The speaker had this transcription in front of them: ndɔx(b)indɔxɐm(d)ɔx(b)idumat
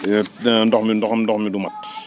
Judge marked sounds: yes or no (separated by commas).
no, yes, no